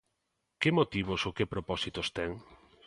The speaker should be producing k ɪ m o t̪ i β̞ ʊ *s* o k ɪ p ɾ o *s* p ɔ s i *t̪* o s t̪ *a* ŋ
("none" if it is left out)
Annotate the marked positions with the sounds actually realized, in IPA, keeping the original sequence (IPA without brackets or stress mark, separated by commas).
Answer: s, none, t̪, ɛ